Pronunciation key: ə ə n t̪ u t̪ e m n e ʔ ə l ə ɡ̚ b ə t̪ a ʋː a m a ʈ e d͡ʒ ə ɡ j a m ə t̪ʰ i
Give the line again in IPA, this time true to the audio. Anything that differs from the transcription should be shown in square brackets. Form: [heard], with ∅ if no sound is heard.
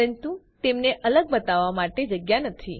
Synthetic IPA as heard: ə ə n t̪ u t̪ e m n e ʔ ə l ə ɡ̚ b ə t̪ a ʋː a m a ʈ e d͡ʒ ə ɡ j a [n] ə t̪ʰ i